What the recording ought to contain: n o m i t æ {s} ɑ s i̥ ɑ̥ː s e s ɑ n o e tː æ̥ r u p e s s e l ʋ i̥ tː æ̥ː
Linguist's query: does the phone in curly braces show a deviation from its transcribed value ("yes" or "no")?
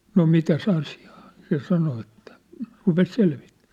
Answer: no